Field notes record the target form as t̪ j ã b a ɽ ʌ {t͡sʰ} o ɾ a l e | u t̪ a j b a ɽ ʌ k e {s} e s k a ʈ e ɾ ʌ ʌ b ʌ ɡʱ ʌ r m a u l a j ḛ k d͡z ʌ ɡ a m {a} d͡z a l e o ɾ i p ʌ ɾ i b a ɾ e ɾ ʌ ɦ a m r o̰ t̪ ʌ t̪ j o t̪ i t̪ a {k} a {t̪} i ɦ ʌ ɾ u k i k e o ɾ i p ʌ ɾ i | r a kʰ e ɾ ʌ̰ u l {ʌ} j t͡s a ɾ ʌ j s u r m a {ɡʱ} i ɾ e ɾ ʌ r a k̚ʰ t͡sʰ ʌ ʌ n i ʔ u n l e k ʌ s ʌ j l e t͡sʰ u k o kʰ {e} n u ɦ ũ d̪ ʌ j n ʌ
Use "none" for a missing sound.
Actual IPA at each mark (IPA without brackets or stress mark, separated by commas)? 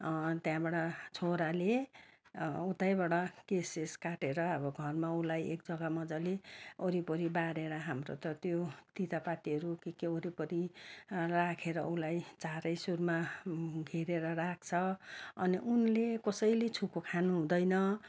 t͡sʰ, s, ʌ, p, t̪, a, ɡʱ, a